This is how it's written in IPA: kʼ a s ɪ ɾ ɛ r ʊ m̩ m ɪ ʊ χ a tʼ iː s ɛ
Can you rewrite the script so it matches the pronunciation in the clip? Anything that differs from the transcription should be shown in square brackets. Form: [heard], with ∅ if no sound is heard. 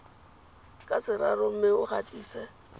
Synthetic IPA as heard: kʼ a s ɪ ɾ [a] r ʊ m̩ m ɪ ʊ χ a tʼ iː s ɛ

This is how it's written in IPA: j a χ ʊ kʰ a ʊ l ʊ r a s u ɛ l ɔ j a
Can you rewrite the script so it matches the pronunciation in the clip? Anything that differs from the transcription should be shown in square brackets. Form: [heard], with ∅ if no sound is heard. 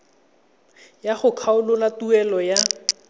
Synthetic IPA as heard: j a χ ʊ kʰ a ʊ l ʊ [l] a [t] u ɛ l ɔ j a

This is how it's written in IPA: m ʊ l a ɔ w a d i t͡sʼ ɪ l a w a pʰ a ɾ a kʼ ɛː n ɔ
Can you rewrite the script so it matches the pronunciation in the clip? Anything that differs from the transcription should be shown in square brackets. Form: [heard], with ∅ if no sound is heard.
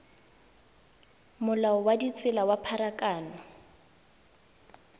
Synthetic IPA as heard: m ʊ l a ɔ w a d i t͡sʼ ɪ l a w a pʰ a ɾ a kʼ [aː] n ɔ

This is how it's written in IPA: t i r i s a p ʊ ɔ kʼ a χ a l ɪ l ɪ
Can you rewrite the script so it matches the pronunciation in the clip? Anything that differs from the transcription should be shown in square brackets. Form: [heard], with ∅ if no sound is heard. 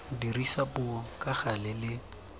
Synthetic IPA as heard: [d] i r i s a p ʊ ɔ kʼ a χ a l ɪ l ɪ

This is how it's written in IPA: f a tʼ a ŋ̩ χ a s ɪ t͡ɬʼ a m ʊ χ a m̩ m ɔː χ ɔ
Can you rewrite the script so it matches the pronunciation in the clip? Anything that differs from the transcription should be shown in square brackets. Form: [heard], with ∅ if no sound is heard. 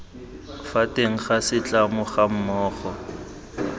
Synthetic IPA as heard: f a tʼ [e] ŋ̩ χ a s ɪ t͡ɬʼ a m ʊ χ a m̩ m ɔː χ ɔ

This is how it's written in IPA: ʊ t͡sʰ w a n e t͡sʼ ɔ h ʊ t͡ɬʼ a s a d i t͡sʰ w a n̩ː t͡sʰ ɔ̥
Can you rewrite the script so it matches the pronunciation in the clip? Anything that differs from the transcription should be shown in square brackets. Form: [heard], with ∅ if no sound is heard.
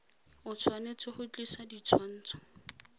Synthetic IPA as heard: ʊ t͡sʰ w a n e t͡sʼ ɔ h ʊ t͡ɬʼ [i] s a d i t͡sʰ w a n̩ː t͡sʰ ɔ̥

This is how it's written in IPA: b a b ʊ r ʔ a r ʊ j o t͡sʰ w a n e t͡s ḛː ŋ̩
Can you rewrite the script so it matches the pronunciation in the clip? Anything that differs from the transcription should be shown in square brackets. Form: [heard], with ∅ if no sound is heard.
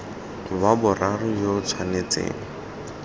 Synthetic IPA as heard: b a b ʊ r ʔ a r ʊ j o t͡sʰ w a n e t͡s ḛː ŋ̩

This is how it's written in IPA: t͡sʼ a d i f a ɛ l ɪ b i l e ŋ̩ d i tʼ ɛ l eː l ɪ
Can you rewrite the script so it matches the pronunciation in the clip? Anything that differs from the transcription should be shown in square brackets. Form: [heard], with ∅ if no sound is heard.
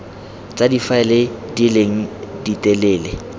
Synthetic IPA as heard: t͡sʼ a d i f a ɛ l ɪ [d] i l e ŋ̩ d i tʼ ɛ l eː l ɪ

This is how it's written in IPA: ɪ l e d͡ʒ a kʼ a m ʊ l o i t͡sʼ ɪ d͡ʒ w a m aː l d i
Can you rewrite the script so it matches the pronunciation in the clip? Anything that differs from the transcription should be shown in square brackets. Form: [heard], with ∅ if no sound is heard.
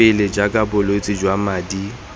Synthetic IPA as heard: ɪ l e d͡ʒ a kʼ a [b] ʊ l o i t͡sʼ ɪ d͡ʒ w a m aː [∅] d i

